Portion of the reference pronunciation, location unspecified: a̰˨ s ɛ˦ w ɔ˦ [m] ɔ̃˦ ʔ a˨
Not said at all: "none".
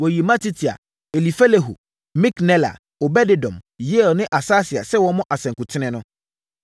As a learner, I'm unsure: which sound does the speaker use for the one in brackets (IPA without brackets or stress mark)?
m